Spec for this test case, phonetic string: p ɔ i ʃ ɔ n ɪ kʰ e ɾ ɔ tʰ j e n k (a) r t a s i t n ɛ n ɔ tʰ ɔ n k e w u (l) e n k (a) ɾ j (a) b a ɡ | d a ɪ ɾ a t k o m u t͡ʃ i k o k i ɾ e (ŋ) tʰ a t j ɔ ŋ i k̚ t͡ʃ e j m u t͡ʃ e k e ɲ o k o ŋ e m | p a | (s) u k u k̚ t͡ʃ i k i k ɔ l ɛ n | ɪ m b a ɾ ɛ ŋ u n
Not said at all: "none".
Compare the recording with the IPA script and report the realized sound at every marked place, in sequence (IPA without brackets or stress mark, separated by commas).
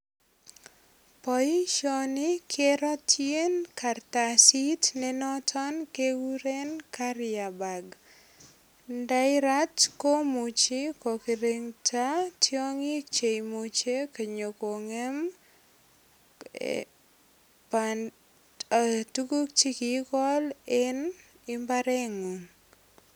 a, ɾ, a, a, ŋ, t